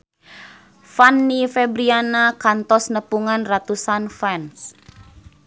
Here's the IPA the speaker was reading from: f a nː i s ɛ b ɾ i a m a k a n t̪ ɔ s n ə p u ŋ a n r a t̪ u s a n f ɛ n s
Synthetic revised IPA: f a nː i f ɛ b ɾ i a n a k a n t̪ ɔ s n ə p u ŋ a n r a t̪ u s a n f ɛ n s